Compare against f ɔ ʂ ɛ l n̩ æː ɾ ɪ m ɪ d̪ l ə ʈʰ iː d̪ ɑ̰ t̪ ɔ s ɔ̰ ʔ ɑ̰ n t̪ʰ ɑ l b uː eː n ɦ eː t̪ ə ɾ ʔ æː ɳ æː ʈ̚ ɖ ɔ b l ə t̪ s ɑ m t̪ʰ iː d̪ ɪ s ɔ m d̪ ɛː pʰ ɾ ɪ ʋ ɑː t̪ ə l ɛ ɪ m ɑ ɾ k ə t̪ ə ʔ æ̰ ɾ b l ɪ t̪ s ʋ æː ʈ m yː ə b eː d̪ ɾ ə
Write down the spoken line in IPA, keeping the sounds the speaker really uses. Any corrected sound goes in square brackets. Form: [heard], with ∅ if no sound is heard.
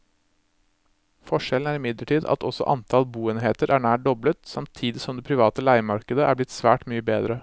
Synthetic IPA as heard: f ɔ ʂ ɛ l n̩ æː ɾ ɪ m ɪ d̪ l ə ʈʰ iː d̪ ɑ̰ t̪ ɔ s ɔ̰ ʔ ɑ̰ n t̪ʰ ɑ l b uː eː n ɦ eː t̪ ə ɾ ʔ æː ɳ æː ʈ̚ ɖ ɔ b l ə t̪ s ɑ m t̪ʰ iː d̪ ɪ s ɔ m d̪ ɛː pʰ ɾ ɪ ʋ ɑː t̪ ə l [æ] ɪ m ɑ ɾ k ə [d̪] ə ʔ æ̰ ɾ b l ɪ t̪ s ʋ æː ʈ m yː ə b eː d̪ ɾ ə